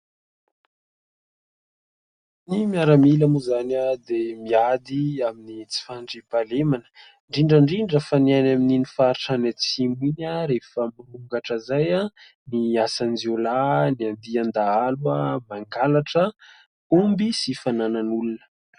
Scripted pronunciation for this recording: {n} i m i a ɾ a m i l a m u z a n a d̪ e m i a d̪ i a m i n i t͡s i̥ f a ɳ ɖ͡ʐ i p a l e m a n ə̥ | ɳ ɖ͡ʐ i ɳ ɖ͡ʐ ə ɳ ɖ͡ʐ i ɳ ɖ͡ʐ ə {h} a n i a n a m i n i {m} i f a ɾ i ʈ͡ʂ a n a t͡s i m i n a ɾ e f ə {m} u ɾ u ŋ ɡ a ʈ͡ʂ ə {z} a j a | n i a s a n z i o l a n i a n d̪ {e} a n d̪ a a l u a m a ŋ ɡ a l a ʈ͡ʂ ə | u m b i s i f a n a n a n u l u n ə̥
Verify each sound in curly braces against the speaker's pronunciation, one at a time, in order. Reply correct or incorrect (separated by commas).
correct, incorrect, incorrect, correct, correct, incorrect